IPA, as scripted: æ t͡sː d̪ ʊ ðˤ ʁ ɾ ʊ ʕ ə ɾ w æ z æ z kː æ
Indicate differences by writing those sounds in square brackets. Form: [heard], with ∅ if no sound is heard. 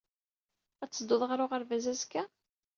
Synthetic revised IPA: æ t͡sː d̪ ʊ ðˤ ʁ ɾ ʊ [ʁ] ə ɾ [v] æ z æ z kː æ